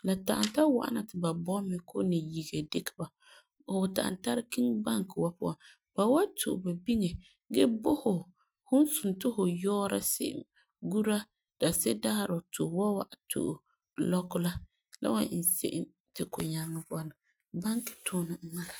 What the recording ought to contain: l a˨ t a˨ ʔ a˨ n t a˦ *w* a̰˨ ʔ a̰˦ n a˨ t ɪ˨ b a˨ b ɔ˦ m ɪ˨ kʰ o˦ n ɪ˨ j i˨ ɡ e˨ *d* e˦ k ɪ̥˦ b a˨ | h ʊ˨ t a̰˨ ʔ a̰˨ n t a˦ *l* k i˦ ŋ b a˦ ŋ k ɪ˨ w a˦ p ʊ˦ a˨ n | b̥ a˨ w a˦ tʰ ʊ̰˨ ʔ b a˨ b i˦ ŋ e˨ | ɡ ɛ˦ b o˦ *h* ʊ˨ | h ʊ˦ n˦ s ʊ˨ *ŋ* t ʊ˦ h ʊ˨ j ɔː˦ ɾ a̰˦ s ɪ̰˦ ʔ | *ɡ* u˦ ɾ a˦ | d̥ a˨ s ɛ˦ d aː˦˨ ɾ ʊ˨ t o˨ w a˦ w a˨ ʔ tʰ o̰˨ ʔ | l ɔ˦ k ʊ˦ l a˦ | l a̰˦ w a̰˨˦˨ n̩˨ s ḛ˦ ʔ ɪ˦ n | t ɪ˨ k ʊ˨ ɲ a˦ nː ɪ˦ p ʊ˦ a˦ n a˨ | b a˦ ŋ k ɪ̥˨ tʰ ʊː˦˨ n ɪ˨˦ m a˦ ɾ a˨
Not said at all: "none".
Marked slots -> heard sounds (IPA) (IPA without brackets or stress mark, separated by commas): w, d, ɾ, h, n, ɡ